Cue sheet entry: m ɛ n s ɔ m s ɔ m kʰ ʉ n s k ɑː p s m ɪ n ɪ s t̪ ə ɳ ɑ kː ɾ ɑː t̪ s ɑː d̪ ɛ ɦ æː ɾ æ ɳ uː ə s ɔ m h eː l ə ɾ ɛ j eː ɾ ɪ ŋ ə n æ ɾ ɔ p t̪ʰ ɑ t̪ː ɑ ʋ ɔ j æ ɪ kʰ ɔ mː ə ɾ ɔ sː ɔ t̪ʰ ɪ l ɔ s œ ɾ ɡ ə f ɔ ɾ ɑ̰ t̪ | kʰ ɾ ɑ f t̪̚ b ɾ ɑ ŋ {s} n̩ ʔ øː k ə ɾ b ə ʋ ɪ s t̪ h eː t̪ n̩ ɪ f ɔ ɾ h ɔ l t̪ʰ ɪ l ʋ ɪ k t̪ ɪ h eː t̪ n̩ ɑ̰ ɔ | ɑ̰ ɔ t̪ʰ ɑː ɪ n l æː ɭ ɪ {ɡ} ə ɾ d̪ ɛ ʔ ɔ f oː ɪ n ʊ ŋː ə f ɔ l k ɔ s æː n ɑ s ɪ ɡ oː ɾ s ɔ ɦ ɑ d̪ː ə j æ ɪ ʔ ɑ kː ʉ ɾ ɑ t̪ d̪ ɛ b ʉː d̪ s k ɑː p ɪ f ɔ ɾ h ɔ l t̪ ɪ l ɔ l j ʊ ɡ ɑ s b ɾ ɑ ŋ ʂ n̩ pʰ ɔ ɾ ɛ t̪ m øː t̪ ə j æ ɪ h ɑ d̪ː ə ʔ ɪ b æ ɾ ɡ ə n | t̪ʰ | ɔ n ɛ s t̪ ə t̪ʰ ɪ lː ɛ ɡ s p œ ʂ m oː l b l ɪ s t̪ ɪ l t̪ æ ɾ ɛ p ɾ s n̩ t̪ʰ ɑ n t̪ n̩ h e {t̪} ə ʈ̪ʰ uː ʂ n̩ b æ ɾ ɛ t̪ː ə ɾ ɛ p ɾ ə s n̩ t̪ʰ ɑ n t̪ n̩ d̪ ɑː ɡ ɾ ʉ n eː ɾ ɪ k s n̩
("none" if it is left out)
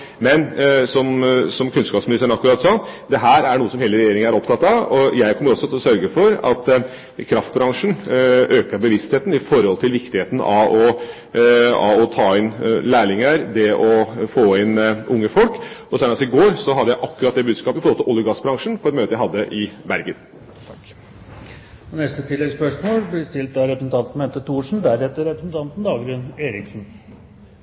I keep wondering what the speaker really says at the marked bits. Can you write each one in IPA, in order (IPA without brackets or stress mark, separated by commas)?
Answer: ʂ, ŋ, t̪